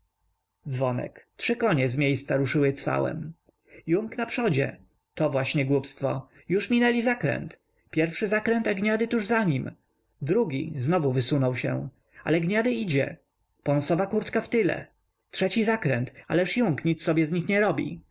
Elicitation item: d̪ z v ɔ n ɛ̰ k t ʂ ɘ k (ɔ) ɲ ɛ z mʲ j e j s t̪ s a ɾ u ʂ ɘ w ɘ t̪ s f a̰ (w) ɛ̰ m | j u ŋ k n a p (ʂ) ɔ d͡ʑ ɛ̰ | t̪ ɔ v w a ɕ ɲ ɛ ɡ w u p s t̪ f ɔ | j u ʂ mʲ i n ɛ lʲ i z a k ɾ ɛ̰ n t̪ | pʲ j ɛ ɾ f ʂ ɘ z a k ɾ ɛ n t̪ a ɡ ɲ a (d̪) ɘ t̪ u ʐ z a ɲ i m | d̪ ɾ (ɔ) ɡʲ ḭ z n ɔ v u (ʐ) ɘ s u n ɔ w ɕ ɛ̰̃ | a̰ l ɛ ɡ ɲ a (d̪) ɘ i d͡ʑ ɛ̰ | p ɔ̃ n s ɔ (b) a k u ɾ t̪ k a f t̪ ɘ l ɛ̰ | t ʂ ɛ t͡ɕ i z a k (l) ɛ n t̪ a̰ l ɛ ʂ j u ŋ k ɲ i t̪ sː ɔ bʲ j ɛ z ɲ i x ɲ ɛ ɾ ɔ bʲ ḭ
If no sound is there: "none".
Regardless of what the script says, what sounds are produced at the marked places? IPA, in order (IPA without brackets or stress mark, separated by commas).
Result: ɔ, w, ʂ, d̪, u, v, d̪, v, ɾ